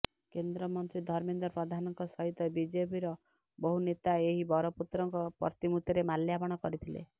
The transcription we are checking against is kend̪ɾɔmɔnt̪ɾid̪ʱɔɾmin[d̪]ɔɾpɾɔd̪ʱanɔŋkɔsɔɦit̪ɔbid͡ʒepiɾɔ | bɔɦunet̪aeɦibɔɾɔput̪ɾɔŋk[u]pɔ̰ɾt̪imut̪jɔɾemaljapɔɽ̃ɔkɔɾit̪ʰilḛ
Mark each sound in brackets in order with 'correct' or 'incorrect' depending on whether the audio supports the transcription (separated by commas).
correct, incorrect